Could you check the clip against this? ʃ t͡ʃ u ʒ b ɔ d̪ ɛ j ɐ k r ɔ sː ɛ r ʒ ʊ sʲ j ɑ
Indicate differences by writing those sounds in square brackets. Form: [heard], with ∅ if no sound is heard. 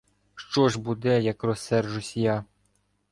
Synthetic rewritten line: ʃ t͡ʃ [ɔ] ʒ b [u] d̪ ɛ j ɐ k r ɔ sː ɛ r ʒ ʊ sʲ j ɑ

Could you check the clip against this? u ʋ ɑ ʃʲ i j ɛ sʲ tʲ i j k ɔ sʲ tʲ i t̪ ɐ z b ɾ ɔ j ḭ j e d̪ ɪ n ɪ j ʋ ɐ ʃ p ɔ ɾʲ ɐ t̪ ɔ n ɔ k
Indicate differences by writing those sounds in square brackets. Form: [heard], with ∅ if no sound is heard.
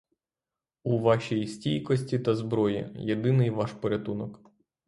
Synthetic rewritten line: u ʋ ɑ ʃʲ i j [i] sʲ tʲ i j k ɔ sʲ tʲ i t̪ ɐ z b ɾ ɔ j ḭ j e d̪ ɪ n ɪ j ʋ [ɑ] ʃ p ɔ ɾʲ ɐ t̪ [u] n ɔ k

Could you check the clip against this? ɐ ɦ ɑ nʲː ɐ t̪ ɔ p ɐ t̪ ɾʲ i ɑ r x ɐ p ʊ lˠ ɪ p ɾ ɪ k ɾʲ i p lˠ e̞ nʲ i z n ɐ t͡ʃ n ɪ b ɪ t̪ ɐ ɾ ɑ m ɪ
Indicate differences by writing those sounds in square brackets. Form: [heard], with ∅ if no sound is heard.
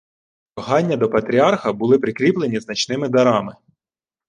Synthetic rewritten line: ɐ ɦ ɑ nʲː ɐ [d̪] ɔ p ɐ t̪ ɾʲ i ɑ r x ɐ [b] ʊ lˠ ɪ p ɾ ɪ k ɾʲ i p lˠ e̞ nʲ i z n ɐ t͡ʃ n ɪ [m] ɪ [d̪] ɐ ɾ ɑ m ɪ

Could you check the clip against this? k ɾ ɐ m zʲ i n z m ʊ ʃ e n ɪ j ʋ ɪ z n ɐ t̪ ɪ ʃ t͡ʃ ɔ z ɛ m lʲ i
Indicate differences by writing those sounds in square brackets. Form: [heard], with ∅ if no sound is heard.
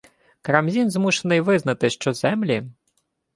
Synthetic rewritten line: k ɾ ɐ m zʲ i n z m [u] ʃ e n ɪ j ʋ ɪ z n ɐ t̪ ɪ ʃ t͡ʃ ɔ z ɛ m lʲ i

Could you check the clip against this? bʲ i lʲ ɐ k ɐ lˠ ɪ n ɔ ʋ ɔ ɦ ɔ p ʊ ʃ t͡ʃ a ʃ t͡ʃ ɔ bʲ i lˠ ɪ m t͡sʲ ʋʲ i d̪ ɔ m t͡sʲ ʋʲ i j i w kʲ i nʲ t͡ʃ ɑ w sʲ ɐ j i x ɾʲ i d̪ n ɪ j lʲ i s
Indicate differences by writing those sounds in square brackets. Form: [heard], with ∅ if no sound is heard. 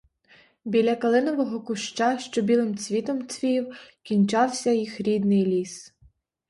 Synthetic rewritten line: bʲ i lʲ ɐ k ɐ lˠ ɪ n ɔ ʋ ɔ ɦ ɔ [k] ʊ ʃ t͡ʃ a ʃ t͡ʃ ɔ bʲ i lˠ ɪ m t͡sʲ ʋʲ i [t̪] ɔ m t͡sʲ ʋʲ i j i w kʲ i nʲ t͡ʃ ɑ w sʲ ɐ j i x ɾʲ i d̪ n ɪ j lʲ i s

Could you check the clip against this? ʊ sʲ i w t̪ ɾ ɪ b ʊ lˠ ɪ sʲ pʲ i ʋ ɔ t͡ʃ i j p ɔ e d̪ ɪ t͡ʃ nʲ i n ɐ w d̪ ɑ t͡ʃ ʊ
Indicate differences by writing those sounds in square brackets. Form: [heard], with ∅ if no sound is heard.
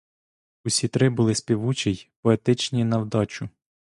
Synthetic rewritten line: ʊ sʲ i [∅] t̪ ɾ ɪ b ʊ lˠ ɪ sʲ pʲ i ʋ [u] t͡ʃ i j p ɔ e [t̪] ɪ t͡ʃ nʲ i n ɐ w d̪ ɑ t͡ʃ ʊ

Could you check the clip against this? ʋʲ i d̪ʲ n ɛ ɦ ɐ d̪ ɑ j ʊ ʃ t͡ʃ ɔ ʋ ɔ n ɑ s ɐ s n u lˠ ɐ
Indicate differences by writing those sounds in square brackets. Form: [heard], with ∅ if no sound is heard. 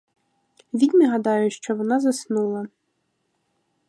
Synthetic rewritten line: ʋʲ i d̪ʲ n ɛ ɦ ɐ d̪ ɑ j ʊ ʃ t͡ʃ ɔ ʋ ɔ n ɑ [z] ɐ s n u lˠ ɐ

